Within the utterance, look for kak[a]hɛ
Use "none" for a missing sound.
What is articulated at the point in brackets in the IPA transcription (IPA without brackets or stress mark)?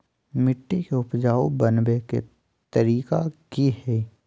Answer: i